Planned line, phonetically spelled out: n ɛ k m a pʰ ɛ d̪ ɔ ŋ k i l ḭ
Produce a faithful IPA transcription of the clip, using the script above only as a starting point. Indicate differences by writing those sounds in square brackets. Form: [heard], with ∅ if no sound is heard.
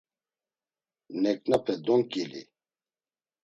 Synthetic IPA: n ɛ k [n] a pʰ ɛ d̪ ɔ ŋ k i l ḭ

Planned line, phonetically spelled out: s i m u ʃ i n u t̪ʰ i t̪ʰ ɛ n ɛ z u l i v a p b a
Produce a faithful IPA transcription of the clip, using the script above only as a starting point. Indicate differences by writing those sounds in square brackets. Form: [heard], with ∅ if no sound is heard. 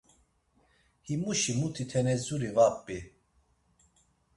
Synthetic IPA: [h] i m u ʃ i [m] u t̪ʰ i t̪ʰ ɛ n ɛ z u [ɾ] i v a p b [i]

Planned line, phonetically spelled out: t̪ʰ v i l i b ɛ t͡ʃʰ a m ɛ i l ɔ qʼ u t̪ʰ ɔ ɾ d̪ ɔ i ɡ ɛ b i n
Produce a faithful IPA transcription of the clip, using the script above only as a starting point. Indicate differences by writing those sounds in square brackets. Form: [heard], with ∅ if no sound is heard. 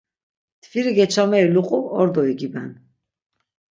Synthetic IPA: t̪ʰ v i [ɾ] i [ɡ] ɛ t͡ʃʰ a m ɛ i l [u] qʼ u [∅] ɔ ɾ d̪ ɔ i ɡ [i] b [ɛ] n

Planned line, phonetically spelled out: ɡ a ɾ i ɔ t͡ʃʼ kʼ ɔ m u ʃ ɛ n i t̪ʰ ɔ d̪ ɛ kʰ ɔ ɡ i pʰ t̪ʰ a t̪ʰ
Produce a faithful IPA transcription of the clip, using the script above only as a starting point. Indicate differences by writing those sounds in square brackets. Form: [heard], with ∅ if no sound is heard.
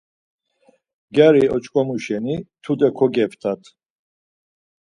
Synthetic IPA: ɡ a ɾ i ɔ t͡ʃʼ kʼ ɔ m u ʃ ɛ n i t̪ʰ [u] d̪ ɛ kʰ ɔ ɡ [ɛ] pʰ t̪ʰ a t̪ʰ

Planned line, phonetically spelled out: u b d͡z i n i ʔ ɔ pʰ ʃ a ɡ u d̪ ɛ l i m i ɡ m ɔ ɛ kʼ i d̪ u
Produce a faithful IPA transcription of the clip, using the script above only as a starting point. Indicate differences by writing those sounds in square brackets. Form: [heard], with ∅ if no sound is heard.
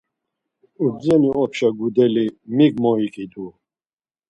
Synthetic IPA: u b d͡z [ɛ] n i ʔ ɔ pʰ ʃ a ɡ u d̪ ɛ l i m i ɡ m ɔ [i] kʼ i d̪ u

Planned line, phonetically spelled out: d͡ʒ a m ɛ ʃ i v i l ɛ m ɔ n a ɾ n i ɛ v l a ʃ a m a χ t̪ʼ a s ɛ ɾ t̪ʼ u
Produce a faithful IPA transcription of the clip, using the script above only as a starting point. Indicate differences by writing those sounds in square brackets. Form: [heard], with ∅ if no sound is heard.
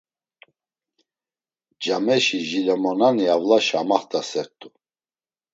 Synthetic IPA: d͡ʒ a m ɛ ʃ i [ʒ] i l ɛ m ɔ n a [∅] n i [a] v l a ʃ a m a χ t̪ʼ a s ɛ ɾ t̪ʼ u

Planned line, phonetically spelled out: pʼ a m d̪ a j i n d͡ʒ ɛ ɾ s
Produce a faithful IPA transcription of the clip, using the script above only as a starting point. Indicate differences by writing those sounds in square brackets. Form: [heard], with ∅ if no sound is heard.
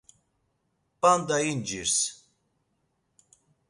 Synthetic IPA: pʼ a [n] d̪ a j i n d͡ʒ [i] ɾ s

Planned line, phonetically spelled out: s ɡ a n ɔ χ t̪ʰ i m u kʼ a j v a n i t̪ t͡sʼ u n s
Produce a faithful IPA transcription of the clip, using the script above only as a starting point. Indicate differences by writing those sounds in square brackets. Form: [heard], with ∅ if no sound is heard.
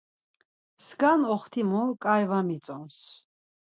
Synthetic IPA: s ɡ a n ɔ χ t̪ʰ i m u kʼ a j v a [m] i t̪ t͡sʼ [ɔ] n s

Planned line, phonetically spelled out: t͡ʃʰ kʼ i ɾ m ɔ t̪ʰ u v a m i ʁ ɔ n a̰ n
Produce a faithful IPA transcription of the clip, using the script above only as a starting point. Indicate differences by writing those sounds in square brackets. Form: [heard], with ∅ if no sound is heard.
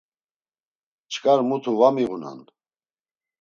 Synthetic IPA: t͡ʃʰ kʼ [a] ɾ m [u] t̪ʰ u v a m i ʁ [u] n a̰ n

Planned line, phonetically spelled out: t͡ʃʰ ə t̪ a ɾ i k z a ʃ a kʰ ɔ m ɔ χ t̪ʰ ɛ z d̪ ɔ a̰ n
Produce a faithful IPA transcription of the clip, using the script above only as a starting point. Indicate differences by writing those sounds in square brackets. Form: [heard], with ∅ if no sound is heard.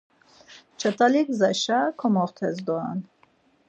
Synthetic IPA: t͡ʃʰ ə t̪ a [l] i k z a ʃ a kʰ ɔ m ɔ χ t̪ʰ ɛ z d̪ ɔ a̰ n

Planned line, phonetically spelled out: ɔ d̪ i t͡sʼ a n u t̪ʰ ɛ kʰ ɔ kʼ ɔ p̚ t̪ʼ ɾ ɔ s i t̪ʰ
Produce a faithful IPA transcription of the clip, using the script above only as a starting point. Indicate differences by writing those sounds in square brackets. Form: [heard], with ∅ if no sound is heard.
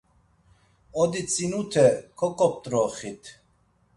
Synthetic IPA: ɔ d̪ i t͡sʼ [i] n u t̪ʰ ɛ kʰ ɔ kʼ ɔ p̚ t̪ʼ ɾ ɔ [χ] i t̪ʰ

